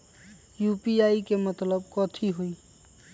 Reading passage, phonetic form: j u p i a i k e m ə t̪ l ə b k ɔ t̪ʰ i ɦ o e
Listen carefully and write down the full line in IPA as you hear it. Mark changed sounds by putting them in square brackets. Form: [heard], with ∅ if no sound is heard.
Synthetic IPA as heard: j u p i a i k e m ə t̪ l ə b k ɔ t̪ʰ i ɦ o [i]